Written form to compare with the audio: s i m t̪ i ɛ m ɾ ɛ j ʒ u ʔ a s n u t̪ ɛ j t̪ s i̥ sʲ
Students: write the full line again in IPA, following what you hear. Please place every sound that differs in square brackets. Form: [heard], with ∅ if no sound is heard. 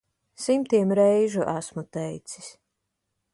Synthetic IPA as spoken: s i m t̪ i ɛ m ɾ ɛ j ʒ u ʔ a s [m] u t̪ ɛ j t̪ s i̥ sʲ